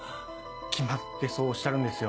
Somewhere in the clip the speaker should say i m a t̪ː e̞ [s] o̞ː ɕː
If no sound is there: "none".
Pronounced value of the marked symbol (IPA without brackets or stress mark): s